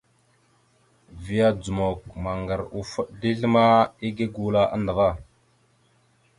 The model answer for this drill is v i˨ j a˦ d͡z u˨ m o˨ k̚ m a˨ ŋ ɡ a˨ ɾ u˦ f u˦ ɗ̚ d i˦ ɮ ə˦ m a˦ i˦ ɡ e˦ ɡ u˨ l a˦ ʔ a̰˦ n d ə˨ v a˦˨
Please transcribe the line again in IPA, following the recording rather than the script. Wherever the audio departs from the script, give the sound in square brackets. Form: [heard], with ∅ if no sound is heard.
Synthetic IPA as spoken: v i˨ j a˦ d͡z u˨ m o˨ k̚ m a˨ ŋ ɡ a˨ ɾ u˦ f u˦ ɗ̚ d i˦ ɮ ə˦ m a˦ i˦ ɡ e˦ ɡ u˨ l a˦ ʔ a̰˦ n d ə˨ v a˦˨